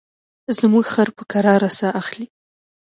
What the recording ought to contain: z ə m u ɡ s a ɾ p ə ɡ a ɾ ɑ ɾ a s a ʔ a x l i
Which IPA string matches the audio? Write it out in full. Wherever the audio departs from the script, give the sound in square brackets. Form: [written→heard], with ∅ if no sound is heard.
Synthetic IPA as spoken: z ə m u ɡ [s→x] a ɾ p ə [ɡ→k] a ɾ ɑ ɾ a s a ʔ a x l i